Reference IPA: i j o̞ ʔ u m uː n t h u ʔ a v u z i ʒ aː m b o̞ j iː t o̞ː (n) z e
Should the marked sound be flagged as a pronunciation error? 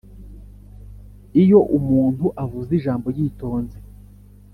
no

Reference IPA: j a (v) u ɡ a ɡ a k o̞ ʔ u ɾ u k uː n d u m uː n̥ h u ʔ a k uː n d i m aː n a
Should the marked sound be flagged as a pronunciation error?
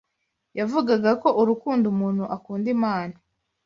no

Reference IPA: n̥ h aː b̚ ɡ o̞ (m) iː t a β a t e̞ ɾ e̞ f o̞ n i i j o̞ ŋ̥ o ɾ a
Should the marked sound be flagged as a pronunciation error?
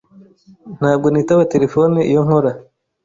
yes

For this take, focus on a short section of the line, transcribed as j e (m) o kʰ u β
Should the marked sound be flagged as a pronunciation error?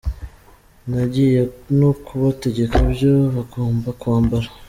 yes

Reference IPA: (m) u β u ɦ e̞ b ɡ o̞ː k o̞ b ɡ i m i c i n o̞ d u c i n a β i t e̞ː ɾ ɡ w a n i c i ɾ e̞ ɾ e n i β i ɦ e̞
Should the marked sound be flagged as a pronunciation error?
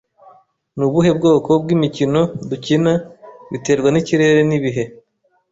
yes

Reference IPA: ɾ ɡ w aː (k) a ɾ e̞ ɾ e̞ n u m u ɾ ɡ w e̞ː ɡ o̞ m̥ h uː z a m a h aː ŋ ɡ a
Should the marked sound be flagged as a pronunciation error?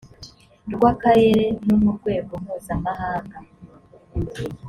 no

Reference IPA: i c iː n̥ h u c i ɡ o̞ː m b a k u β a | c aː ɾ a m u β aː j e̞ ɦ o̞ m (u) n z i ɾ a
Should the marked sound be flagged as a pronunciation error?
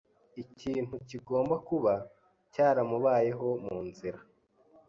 yes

